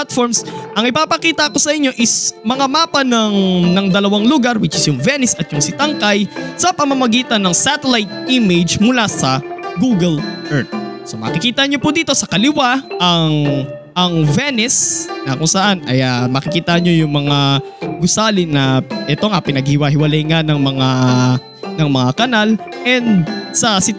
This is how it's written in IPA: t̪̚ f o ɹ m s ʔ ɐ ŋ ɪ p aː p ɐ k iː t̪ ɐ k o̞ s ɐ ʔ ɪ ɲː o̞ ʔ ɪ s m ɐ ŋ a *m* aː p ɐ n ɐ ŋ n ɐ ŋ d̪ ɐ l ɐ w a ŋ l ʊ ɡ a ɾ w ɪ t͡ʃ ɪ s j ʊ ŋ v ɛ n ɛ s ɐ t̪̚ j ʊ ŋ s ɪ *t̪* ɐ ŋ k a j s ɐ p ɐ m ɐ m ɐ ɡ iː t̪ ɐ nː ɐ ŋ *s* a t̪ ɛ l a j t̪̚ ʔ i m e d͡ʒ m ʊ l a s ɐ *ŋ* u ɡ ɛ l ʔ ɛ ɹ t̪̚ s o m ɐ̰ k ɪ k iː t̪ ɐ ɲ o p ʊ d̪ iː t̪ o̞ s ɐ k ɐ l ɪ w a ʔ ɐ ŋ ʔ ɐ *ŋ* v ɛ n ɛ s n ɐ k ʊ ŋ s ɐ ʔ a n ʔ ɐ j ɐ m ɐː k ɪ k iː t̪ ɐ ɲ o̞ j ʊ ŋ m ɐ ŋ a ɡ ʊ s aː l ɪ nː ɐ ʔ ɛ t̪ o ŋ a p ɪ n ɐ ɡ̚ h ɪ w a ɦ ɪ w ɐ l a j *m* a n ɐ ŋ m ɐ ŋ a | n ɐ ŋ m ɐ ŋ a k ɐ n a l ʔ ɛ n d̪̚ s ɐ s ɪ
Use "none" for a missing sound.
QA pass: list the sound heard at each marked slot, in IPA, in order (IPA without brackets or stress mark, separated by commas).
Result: m, t̪, s, ɡ, ŋ, ŋ